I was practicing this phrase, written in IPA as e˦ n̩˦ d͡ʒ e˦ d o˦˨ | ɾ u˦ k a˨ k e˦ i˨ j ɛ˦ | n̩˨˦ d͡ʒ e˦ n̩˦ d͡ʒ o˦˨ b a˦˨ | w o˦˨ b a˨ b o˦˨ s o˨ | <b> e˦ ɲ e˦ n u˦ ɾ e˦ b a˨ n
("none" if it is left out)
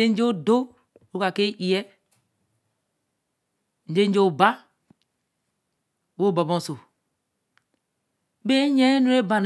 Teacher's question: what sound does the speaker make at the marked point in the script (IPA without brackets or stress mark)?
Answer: b